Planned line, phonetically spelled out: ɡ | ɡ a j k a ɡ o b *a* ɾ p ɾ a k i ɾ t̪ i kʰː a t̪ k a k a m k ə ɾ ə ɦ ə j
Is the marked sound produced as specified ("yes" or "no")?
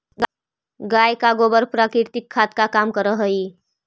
no